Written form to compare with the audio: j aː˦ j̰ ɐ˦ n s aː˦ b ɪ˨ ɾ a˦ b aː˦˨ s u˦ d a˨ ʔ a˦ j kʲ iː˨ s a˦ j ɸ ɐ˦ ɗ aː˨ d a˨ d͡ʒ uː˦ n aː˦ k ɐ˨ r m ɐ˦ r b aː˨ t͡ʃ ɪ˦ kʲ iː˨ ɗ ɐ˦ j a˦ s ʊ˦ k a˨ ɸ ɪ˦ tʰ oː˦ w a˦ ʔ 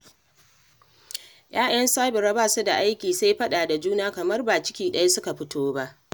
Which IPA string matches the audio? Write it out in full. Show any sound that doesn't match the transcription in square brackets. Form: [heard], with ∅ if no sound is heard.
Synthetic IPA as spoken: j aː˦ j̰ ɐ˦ n s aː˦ b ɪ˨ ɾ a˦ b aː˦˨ s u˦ d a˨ ʔ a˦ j kʲ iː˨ s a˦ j ɸ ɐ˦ ɗ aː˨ d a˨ d͡ʒ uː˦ n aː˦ k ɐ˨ [∅] m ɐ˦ r b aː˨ t͡ʃ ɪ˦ kʲ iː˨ ɗ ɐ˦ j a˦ s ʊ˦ k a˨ ɸ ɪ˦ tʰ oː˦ [b] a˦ ʔ